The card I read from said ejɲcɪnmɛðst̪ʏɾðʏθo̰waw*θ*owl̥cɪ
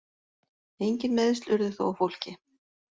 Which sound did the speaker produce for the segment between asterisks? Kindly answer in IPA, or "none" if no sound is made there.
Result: f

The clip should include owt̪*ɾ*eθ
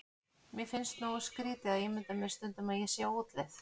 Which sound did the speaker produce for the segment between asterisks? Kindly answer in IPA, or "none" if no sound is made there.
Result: l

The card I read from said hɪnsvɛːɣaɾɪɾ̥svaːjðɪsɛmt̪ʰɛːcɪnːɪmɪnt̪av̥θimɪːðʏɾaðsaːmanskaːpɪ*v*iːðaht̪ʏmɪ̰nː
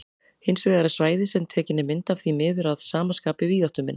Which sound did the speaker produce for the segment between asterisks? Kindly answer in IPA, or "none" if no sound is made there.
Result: v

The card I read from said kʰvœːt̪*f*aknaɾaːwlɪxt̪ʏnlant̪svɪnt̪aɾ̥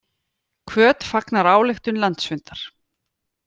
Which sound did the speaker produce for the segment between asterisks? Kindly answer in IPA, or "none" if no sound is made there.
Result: f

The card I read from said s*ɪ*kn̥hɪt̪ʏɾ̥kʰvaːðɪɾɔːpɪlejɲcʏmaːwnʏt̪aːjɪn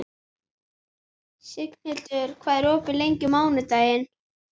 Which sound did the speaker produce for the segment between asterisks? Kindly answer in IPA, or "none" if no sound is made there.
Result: ɪ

